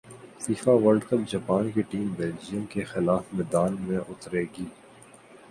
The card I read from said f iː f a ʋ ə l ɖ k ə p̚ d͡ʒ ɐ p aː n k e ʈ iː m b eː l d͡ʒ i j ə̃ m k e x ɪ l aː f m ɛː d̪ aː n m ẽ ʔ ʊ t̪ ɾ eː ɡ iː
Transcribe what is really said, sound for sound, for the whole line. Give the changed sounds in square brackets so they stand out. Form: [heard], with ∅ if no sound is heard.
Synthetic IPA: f iː f a ʋ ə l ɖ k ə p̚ d͡ʒ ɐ p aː n k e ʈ iː m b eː l d͡ʒ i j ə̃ m k e x ɪ l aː f m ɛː d̪ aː n m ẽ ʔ ʊ t̪ ɾ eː ɡ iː